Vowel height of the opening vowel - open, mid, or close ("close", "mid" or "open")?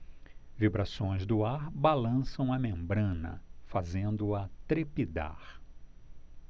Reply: close